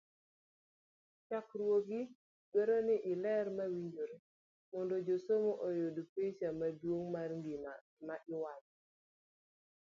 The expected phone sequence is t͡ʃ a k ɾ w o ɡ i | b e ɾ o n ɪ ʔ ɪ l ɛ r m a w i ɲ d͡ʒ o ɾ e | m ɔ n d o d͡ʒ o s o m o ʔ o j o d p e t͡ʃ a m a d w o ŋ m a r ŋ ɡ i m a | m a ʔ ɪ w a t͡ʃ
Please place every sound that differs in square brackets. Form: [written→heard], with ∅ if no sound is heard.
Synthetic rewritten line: t͡ʃ a k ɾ w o ɡ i | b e ɾ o n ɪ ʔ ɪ l ɛ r m a w i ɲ d͡ʒ o ɾ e | m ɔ n d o d͡ʒ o s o m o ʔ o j o d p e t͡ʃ a m a d w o ŋ m a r ŋ ɡ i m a | m a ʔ ɪ w a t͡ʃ

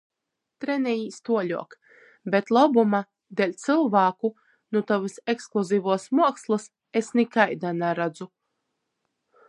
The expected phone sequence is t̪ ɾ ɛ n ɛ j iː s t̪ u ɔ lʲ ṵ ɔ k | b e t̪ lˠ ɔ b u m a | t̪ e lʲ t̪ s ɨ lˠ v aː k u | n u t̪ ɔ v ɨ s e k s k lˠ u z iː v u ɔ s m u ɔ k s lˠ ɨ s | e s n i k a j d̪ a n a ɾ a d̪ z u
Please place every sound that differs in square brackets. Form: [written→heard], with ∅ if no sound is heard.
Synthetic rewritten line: t̪ ɾ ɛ n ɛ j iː s t̪ u ɔ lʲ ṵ ɔ k | b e t̪ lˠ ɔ b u m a | [t̪→d̪] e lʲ t̪ s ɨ lˠ v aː k u | n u t̪ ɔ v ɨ s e k s k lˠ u z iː v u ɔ s m u ɔ k s lˠ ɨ s | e s n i k a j d̪ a n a ɾ a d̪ z u

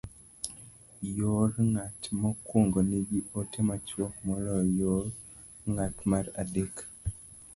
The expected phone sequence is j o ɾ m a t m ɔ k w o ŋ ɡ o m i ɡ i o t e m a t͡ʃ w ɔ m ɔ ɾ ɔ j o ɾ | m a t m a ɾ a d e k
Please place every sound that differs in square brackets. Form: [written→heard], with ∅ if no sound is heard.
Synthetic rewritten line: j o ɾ [m→ŋ] a t m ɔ k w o ŋ ɡ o [m→n] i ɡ i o t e m a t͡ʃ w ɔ m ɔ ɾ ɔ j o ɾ | [m→ŋ] a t m a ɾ a d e k

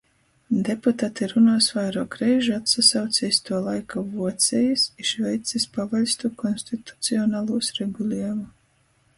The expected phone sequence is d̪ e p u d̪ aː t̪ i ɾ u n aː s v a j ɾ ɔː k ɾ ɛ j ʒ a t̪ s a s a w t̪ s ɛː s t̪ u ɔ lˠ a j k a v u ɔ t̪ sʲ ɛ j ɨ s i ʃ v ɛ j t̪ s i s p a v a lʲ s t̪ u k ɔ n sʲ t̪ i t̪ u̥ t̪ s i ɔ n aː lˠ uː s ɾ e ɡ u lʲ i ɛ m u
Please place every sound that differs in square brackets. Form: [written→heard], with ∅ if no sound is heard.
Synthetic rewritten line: d̪ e p u [d̪→t̪] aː t̪ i ɾ u n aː s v a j ɾ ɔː k ɾ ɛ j ʒ a t̪ s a s a w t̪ s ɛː s t̪ u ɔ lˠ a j k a v u ɔ t̪ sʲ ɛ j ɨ s i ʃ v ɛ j t̪ s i s p a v a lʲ s t̪ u k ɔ n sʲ t̪ i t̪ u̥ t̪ s i ɔ n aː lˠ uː s ɾ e ɡ u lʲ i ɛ m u

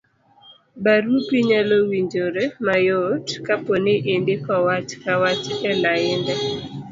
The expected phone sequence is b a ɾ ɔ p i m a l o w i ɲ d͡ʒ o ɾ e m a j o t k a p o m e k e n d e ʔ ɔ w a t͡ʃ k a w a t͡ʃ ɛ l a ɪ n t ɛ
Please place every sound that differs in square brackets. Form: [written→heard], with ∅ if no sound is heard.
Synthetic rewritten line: b a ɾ [ɔ→u] p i [m→ɲ] a l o w i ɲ d͡ʒ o ɾ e m a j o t k a p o [m→n] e [k→ʔ] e n d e [ʔ→k] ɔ w a t͡ʃ k a w a t͡ʃ ɛ l a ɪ n [t→d] ɛ

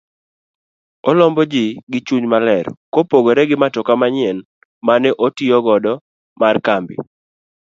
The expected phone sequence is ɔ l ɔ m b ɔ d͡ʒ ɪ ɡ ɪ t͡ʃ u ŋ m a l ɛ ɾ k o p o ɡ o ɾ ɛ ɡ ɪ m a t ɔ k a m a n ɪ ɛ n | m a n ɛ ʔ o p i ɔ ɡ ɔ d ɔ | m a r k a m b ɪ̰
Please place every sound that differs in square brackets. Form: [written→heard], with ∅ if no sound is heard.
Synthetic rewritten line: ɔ l ɔ m b ɔ d͡ʒ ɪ ɡ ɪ t͡ʃ u [ŋ→ɲ] m a l ɛ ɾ k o p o ɡ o ɾ ɛ ɡ ɪ m a t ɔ k a m a [n→ɲ] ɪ ɛ n | m a n ɛ ʔ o [p→t] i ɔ ɡ ɔ d ɔ | m a r k a m b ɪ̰

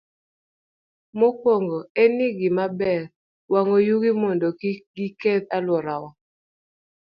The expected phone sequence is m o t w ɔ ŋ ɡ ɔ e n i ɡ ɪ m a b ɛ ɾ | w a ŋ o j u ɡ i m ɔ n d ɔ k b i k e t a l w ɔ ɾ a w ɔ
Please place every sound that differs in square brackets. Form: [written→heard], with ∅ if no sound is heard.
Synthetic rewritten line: m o [t→k] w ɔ ŋ ɡ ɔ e n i ɡ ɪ m a b ɛ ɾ | w a ŋ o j u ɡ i m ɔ n d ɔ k [b→ɡ] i k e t a l w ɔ ɾ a w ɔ

